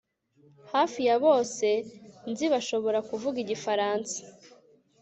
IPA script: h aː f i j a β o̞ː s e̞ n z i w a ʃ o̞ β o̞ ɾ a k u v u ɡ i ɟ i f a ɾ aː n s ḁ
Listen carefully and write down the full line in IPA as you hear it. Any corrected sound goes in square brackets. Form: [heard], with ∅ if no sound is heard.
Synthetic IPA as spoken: h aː f i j a β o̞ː s e̞ n z i [β] a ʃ o̞ β o̞ ɾ a k u v u ɡ i ɟ i f a ɾ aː n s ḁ